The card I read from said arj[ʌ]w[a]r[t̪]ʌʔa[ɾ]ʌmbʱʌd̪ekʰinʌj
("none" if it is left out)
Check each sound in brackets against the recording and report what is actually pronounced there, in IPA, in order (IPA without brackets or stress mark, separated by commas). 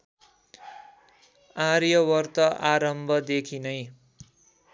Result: ʌ, ʌ, t̪, ɾ